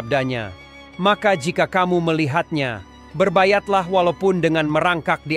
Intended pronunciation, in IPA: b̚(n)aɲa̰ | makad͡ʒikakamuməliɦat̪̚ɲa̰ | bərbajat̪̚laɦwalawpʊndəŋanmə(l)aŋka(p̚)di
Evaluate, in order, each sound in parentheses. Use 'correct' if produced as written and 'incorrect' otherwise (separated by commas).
incorrect, incorrect, incorrect